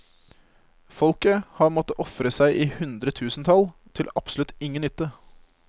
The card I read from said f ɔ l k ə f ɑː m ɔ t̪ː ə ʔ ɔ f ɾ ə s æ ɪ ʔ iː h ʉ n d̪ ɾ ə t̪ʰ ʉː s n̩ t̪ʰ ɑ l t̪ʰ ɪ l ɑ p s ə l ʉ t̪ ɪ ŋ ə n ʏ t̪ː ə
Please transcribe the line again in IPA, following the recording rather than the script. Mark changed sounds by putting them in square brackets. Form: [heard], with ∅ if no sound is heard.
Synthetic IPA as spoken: f ɔ l k ə [h] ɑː m ɔ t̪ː ə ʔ ɔ f ɾ ə s æ ɪ ʔ iː h ʉ n d̪ ɾ ə t̪ʰ ʉː s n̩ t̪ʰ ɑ l t̪ʰ ɪ l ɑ p s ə l ʉ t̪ ɪ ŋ ə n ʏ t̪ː ə